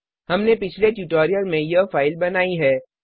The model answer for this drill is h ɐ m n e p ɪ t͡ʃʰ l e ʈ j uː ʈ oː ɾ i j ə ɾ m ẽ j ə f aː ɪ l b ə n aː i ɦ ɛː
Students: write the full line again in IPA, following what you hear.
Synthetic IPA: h ɐ m n e p ɪ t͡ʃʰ l e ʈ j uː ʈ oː ɾ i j ə l m ẽ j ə f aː ɪ l b ɐ n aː i ɦ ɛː